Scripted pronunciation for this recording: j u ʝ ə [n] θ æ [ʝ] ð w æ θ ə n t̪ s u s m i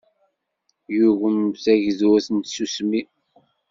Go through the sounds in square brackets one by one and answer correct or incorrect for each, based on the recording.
incorrect, correct

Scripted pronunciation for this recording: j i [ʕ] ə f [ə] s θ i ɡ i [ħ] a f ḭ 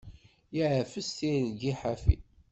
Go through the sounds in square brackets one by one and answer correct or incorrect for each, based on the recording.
correct, correct, correct

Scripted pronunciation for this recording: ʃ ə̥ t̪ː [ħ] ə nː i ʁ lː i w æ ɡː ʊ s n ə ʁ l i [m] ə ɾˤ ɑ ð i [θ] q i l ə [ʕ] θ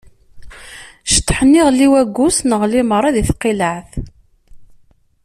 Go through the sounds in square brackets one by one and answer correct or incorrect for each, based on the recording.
correct, correct, correct, correct

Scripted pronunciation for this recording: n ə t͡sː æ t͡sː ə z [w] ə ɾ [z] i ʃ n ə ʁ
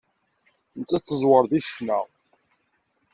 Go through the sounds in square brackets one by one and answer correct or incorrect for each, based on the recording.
correct, incorrect

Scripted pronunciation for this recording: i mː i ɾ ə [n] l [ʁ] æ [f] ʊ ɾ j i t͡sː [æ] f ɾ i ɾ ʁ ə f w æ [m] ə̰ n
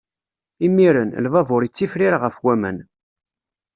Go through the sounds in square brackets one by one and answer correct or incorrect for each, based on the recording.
correct, incorrect, incorrect, incorrect, correct

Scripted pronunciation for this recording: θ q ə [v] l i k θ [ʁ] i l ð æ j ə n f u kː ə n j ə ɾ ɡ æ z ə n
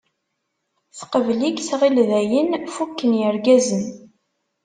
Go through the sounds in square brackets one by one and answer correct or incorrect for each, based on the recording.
correct, correct

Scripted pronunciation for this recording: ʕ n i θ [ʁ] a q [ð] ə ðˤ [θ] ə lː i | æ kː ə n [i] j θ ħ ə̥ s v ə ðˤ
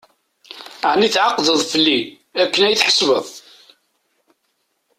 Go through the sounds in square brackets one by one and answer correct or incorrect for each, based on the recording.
incorrect, correct, incorrect, incorrect

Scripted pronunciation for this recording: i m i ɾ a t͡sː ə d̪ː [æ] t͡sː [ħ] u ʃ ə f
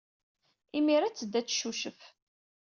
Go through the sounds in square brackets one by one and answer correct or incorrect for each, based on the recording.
correct, incorrect

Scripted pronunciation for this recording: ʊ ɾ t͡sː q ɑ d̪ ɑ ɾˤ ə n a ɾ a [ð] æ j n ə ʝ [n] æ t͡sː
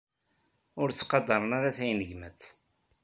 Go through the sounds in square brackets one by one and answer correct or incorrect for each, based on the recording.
incorrect, incorrect

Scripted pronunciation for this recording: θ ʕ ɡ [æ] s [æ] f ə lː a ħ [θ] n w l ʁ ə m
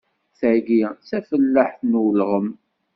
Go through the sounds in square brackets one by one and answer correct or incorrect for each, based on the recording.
incorrect, correct, correct

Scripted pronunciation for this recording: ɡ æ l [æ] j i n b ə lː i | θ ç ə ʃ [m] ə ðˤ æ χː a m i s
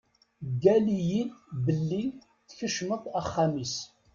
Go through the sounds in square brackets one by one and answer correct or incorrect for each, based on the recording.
incorrect, correct

